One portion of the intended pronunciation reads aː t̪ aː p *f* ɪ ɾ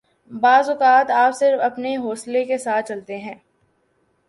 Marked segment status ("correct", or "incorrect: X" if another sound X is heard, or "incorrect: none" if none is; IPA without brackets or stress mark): incorrect: s